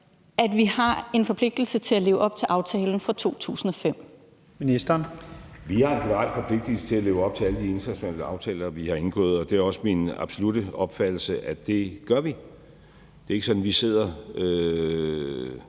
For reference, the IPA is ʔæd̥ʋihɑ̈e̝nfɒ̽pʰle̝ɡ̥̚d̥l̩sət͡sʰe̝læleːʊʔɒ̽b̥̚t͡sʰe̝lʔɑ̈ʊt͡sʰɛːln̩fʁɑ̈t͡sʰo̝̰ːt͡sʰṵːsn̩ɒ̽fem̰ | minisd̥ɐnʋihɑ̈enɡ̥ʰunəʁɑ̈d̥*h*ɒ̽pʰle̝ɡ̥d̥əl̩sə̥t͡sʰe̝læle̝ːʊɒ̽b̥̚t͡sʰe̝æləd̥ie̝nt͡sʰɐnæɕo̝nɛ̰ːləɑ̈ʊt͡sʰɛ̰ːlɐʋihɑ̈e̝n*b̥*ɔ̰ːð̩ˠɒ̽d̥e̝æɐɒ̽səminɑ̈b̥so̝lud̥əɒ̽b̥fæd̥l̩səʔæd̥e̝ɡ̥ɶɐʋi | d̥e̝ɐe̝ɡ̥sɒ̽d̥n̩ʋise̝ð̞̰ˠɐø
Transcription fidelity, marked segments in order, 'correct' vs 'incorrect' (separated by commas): incorrect, incorrect